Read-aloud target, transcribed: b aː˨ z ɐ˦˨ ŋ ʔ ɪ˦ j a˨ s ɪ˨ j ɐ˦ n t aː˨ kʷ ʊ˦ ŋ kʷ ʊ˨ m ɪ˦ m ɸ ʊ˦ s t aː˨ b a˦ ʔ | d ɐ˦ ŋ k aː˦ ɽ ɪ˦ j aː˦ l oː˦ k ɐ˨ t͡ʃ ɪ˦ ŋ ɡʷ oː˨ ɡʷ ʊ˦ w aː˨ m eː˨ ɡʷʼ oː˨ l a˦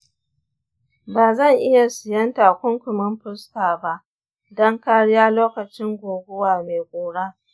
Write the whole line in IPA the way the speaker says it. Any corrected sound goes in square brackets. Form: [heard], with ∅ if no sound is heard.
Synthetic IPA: b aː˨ z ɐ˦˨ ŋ ʔ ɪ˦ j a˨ s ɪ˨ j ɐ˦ n t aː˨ kʷ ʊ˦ ŋ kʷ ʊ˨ m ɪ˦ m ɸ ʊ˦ s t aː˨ b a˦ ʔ | d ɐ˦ ŋ k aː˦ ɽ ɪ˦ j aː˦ l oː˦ k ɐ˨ t͡ʃ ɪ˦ ŋ ɡʷ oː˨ ɡʷ ʊ˦ w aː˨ m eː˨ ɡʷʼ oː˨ [ɽ] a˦